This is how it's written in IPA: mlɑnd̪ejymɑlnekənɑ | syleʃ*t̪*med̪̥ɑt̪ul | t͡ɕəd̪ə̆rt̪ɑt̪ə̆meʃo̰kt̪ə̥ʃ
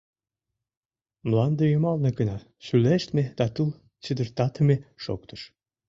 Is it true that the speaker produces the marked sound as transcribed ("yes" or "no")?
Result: yes